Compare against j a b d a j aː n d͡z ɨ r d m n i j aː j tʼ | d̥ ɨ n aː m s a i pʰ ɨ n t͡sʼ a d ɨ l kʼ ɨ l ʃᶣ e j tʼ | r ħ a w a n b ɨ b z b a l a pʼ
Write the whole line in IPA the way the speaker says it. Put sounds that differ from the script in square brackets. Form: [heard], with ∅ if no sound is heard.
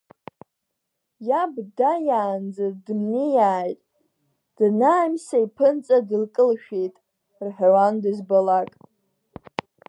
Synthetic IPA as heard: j a b d a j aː n d͡z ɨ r d m n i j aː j tʼ | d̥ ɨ n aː m s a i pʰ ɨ n t͡sʼ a d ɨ l kʼ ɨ l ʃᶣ e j tʼ | r ħ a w a n [d] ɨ [∅] z b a l a [kʼ]